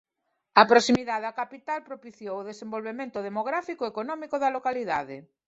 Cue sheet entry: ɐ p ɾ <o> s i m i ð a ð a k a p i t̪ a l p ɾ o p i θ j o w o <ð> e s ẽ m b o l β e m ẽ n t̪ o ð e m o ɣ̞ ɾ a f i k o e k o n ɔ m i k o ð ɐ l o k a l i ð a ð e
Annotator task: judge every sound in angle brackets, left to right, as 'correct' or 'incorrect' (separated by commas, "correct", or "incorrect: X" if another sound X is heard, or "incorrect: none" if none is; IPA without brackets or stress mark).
correct, correct